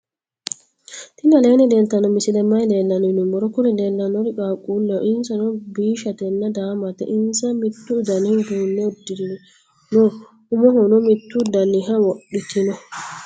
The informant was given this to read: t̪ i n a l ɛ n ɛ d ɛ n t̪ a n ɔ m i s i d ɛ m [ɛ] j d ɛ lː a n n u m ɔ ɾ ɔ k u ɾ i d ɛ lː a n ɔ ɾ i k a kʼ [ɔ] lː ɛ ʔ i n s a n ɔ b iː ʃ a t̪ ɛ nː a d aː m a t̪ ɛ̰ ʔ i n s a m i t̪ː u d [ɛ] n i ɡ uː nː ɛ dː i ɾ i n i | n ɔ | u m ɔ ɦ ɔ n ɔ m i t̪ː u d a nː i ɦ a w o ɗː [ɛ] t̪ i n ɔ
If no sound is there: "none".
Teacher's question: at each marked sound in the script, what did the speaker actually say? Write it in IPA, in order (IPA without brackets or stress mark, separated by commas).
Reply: a, u, a, i